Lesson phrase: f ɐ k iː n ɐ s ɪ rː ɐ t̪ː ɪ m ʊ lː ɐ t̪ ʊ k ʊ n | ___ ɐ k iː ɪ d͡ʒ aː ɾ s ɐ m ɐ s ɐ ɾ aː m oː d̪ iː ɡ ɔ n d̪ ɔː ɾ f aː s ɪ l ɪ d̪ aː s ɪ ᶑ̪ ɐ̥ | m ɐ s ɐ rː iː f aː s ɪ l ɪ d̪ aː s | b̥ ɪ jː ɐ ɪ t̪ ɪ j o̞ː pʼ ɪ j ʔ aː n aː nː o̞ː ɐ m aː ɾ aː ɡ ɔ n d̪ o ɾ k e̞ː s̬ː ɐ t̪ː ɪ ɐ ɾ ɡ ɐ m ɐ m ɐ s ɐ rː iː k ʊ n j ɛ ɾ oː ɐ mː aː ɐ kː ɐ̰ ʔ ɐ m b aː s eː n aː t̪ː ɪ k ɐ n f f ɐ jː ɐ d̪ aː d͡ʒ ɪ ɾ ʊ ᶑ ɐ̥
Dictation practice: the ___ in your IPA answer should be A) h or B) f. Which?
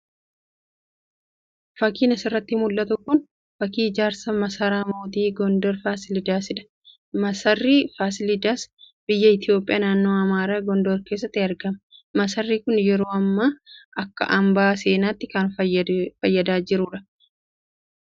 B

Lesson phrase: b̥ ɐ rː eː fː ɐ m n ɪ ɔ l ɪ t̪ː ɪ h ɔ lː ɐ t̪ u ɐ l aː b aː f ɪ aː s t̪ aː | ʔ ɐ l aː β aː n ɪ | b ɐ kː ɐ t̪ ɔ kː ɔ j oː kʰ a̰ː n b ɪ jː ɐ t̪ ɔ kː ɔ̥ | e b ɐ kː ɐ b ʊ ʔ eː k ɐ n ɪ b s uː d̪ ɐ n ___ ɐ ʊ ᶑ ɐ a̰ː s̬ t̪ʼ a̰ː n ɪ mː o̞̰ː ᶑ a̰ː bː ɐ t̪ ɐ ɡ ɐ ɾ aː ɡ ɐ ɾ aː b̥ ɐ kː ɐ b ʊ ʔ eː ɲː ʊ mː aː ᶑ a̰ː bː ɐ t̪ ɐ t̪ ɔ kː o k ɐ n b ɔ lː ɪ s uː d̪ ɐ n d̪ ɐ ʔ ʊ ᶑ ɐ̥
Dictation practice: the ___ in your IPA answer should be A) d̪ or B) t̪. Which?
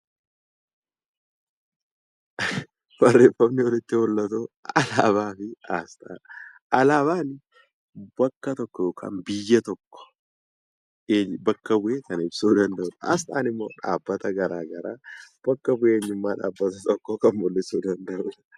A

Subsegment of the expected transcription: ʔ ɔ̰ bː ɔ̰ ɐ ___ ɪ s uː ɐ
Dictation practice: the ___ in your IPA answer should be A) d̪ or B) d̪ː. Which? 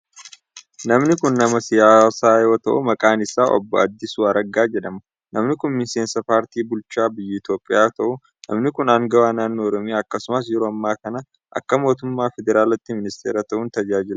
B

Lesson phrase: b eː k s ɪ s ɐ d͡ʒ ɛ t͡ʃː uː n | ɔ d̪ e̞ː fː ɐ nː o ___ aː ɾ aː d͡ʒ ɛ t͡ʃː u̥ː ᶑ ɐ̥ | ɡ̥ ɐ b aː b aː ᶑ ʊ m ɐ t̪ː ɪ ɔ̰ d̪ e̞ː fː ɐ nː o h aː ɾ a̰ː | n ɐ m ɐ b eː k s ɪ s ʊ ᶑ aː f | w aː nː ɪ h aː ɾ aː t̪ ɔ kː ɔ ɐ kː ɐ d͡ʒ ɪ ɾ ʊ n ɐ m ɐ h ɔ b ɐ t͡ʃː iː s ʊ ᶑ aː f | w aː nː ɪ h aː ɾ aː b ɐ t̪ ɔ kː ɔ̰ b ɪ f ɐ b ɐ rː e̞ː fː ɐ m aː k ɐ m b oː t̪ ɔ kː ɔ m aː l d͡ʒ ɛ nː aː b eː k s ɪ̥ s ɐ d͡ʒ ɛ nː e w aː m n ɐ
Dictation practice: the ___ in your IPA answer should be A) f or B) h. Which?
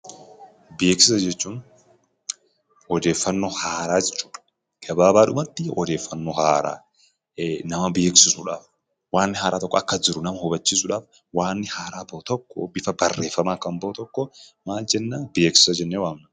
B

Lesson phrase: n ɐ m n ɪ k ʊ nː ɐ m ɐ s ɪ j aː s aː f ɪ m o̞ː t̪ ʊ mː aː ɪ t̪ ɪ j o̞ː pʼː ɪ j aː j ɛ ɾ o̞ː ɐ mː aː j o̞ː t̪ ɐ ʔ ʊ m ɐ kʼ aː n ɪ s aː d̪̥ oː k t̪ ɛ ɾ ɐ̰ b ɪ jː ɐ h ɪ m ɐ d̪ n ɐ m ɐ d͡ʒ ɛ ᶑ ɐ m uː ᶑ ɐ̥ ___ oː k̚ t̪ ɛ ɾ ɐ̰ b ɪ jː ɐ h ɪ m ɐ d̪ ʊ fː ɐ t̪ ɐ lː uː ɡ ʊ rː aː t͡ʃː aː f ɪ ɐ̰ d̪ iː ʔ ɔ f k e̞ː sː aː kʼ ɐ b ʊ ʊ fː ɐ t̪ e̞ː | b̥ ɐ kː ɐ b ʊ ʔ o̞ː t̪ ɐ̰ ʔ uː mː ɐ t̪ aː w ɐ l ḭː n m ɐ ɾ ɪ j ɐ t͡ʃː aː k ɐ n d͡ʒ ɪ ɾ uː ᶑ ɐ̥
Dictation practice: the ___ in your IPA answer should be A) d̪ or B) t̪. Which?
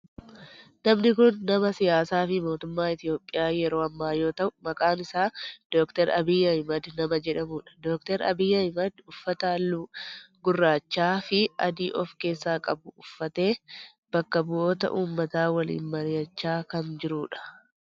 A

